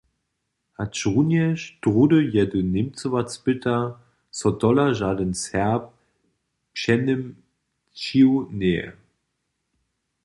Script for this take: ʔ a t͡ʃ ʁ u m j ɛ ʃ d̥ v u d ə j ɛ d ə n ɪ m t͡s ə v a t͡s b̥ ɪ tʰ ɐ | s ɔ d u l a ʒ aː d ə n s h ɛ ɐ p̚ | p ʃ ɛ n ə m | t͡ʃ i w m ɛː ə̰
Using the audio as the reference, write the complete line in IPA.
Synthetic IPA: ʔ a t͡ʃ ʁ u n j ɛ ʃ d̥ ʁ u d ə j ɛ d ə n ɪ m t͡s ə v a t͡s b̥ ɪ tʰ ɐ | s ɔ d ɔ l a ʒ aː d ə n s h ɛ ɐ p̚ | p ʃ ɛ n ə m | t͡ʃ i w n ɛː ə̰

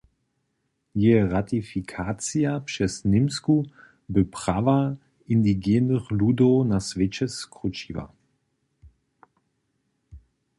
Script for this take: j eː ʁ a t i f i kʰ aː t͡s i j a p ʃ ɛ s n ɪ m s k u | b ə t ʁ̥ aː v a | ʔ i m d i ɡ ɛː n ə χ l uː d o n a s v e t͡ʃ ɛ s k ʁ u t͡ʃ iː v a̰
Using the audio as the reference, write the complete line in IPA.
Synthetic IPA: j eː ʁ a t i f i kʰ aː t͡s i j a p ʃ ɛ s n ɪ m s k u | b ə p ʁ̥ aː v a | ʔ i n d i ɡ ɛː n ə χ l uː d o n a s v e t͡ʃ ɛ s k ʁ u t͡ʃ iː v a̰

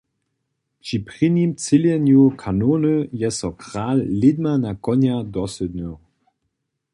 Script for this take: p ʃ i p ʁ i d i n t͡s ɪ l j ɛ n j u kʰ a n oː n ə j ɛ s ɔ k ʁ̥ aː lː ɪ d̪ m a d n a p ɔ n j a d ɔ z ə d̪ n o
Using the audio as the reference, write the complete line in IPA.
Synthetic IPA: p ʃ i p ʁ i n i m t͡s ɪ l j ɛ n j u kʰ a n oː n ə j ɛ s ɔ k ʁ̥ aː lː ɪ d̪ m a n a k ɔ n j a d ɔ s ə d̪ n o

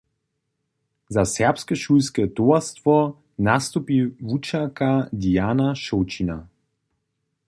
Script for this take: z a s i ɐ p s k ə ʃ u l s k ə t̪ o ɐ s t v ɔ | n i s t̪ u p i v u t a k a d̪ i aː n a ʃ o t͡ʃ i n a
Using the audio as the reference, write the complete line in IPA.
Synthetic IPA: z a s ɛ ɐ p s k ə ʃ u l s k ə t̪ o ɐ s t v ɔ | n a s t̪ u p i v u t͡ʃ a k a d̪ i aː n a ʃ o t͡ʃ i n a

